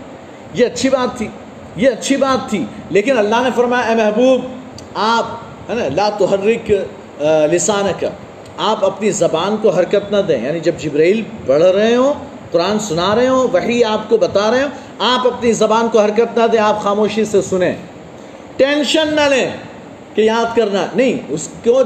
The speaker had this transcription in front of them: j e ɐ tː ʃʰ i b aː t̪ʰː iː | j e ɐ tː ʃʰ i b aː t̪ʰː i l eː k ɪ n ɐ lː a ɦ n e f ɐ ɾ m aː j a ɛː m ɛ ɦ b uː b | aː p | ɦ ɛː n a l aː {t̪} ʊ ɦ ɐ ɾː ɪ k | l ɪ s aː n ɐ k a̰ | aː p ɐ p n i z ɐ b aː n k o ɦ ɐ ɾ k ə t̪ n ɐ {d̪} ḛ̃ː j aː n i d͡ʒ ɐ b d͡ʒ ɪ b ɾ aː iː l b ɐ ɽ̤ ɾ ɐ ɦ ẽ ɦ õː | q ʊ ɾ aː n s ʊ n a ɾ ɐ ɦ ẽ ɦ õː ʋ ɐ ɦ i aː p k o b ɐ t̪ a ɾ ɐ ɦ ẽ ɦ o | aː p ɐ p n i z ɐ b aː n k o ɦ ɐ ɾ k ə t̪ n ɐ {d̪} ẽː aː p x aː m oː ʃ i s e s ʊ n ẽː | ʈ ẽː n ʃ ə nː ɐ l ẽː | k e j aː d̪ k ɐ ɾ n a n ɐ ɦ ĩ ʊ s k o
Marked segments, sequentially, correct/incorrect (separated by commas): correct, correct, correct